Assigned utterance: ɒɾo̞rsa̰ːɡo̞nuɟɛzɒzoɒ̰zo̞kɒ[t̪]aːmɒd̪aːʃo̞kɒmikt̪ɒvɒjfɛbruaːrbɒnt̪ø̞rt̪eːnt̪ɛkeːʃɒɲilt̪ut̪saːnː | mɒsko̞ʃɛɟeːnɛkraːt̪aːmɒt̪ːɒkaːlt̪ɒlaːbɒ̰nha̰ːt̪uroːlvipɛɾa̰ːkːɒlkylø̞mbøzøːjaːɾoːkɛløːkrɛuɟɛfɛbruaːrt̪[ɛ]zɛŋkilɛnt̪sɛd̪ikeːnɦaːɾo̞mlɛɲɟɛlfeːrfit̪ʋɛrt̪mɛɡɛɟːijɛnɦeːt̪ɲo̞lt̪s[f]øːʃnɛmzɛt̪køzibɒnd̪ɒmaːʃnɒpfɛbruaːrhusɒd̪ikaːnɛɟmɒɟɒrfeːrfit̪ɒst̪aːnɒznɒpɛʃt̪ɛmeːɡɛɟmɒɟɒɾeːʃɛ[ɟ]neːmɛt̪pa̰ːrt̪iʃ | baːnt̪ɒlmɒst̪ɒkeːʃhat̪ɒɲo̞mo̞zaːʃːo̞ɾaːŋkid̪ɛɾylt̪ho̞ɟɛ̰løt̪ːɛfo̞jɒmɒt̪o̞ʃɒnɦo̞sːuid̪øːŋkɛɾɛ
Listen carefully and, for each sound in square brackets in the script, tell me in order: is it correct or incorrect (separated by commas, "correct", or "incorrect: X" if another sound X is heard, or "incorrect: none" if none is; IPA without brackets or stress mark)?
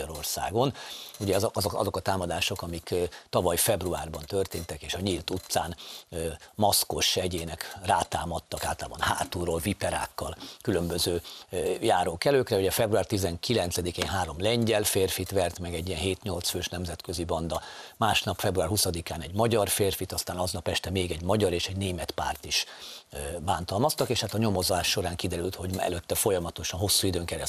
correct, incorrect: i, correct, correct